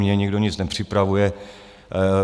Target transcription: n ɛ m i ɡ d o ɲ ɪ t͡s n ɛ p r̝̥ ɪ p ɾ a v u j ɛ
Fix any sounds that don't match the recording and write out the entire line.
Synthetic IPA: ɲ ɛ ɲ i ɡ d o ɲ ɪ t͡s n ɛ p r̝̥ ɪ p ɾ a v u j ɛ